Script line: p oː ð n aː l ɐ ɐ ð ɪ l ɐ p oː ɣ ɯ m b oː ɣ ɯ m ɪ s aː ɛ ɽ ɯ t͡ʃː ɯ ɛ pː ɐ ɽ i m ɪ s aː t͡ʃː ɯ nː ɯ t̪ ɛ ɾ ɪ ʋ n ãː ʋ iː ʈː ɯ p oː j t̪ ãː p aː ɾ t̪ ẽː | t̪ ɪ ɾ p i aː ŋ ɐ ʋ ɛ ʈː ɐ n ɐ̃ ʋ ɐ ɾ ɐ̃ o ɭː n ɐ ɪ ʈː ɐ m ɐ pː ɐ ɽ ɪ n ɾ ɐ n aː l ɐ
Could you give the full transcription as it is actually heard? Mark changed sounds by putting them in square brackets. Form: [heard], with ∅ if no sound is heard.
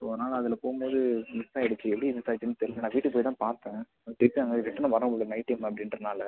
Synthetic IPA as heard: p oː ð n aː l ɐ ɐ ð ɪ l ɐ p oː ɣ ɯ m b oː [ð] ɯ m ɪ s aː ɛ ɽ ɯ t͡ʃː ɯ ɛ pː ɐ ɽ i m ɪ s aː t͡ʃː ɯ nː ɯ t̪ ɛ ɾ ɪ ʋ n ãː ʋ iː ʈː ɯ p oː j t̪ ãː p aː ɾ t̪ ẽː | t̪ ɪ ɾ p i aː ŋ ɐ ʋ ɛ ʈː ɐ n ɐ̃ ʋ ɐ ɾ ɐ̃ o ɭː n ɐ ɪ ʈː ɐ m ɐ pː ɐ ɽ ɪ n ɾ ɐ n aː l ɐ